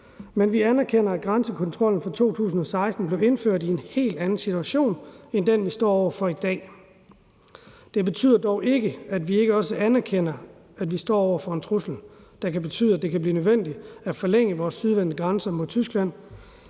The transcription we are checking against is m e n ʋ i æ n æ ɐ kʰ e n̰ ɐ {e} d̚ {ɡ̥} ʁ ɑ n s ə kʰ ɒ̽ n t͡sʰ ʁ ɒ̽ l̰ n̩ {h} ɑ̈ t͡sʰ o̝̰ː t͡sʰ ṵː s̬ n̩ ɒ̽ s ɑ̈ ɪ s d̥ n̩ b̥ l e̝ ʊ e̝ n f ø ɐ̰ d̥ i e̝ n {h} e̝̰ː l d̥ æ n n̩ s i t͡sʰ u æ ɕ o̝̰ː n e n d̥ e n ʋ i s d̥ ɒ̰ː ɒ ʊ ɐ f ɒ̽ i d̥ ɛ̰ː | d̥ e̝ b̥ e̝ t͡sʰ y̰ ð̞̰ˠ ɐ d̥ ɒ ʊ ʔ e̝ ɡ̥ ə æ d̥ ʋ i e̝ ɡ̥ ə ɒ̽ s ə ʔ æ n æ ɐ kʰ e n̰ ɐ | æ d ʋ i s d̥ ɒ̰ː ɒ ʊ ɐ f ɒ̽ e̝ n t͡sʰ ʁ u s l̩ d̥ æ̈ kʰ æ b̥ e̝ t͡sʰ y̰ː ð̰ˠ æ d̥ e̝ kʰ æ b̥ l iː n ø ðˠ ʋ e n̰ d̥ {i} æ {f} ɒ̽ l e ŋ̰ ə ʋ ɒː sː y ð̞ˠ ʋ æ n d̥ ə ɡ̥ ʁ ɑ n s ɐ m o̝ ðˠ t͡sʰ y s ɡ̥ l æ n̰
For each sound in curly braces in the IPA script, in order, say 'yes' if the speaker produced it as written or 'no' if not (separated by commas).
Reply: no, yes, no, yes, yes, yes